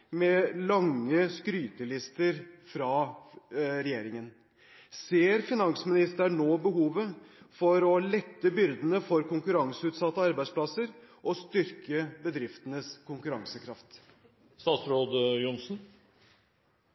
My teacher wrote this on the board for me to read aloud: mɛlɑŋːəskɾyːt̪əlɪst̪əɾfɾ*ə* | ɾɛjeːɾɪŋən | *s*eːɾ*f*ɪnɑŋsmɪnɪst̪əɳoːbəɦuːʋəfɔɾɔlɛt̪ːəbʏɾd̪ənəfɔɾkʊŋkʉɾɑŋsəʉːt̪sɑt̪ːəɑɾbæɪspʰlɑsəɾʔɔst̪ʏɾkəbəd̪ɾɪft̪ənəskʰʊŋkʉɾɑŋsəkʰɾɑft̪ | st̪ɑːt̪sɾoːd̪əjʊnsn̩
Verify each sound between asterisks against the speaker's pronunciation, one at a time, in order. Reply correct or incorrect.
incorrect: ɑ, correct, correct

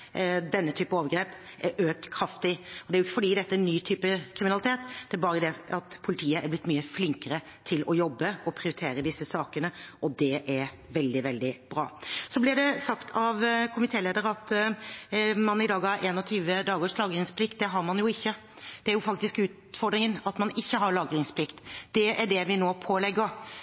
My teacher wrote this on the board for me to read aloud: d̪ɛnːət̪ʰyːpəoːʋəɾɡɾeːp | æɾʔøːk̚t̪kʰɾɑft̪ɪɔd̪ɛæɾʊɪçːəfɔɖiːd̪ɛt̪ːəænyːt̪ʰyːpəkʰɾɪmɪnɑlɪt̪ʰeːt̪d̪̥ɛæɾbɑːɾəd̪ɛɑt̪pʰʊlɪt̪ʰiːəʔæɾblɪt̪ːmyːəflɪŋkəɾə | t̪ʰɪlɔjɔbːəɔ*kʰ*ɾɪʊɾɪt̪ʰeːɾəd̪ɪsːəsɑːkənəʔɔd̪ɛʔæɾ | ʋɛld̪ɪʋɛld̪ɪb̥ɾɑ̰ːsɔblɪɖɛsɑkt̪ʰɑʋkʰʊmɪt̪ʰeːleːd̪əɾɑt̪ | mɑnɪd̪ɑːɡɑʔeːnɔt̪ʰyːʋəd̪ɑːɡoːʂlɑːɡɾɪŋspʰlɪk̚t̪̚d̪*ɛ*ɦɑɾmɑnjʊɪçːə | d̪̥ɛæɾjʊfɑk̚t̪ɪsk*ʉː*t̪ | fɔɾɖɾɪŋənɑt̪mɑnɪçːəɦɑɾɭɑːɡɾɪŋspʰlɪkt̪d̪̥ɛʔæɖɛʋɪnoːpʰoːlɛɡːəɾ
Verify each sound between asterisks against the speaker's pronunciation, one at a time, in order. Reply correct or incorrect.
incorrect: pʰ, correct, correct

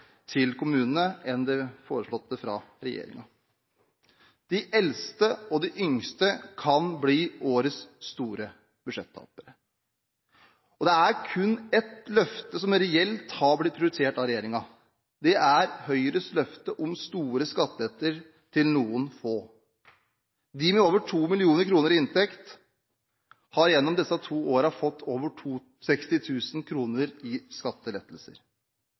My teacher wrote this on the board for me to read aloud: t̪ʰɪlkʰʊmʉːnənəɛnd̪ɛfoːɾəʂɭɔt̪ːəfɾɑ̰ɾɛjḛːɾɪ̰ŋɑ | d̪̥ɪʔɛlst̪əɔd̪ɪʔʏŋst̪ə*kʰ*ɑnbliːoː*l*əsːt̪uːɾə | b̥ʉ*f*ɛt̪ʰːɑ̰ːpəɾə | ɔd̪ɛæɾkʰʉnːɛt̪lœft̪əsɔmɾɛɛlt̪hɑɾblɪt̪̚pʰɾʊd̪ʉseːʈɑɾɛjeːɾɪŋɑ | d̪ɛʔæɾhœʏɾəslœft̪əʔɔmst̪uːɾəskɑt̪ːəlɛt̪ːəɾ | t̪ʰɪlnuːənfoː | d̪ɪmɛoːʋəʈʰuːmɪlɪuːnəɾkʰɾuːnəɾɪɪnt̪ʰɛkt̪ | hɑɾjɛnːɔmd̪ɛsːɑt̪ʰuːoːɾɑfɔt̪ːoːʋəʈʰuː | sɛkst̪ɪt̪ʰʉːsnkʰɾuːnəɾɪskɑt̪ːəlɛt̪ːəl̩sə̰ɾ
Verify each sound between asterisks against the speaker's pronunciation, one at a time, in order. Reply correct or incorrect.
correct, incorrect: ɾ, incorrect: ʂ

